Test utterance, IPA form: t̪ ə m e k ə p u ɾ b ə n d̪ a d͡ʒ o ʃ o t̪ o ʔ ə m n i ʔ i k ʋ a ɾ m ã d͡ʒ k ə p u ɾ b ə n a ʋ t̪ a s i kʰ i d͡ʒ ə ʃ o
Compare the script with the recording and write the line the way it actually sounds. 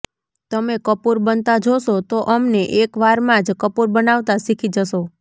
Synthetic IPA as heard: t̪ ə m e k ə p u ɾ b ə n t̪ a d͡ʒ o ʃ o t̪ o ʔ ə m n e ʔ e k ʋ a ɾ m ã d͡ʒ k ə p u ɾ b ə n a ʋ t̪ a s i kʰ i d͡ʒ ə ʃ o